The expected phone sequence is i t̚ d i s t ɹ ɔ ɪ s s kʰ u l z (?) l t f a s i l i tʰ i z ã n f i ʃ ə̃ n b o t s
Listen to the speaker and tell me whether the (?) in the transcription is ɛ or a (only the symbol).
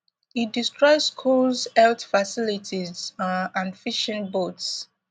ɛ